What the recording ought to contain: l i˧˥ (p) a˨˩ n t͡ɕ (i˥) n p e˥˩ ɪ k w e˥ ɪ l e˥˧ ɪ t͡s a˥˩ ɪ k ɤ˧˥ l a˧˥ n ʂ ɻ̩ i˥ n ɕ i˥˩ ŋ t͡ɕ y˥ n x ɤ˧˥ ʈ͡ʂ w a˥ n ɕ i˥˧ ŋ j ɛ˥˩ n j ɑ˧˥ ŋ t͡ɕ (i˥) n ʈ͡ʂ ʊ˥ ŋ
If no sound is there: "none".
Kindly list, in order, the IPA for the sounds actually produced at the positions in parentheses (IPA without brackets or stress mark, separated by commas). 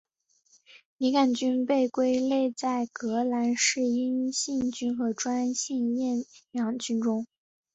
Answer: k, y˥, y˥